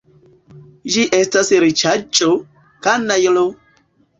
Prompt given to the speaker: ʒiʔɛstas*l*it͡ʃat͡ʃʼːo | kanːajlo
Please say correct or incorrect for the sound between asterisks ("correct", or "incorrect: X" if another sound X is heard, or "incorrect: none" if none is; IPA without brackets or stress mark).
incorrect: ɾ